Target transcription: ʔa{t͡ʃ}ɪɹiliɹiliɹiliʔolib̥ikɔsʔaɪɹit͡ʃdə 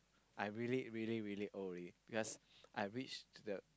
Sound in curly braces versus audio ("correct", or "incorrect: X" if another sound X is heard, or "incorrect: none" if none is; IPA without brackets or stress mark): incorrect: none